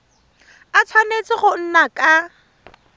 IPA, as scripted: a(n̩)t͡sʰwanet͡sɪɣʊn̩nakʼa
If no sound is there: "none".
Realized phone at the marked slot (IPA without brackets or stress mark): none